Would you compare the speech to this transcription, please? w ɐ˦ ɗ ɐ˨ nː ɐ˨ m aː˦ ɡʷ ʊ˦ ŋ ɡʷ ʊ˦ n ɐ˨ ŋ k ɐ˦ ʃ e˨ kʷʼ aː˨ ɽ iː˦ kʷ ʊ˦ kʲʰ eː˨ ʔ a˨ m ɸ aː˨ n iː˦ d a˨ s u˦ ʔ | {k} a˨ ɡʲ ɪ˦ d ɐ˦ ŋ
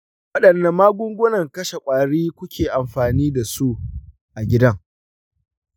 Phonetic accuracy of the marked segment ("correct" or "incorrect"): incorrect